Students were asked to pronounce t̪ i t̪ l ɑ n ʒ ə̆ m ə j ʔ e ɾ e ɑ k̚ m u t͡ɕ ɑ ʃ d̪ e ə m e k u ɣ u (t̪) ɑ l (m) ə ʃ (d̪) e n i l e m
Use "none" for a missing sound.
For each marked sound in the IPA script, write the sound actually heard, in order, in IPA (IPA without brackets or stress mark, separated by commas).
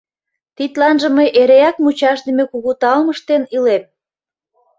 t̪, m, t̪